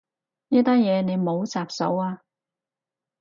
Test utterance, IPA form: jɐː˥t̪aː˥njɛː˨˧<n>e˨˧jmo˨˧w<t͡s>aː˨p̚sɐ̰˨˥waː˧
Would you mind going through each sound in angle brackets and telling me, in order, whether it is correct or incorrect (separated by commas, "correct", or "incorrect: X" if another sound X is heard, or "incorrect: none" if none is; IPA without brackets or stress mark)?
correct, correct